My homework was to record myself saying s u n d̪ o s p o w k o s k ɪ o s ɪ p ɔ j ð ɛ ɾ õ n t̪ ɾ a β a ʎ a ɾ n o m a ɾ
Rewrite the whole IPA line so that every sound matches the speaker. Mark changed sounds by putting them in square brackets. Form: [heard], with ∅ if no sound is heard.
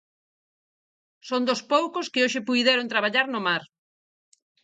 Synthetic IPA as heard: s [o] n d̪ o s p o w k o s k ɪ o [ʃ] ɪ p [u] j ð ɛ ɾ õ n t̪ ɾ a β a ʎ a ɾ n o m a ɾ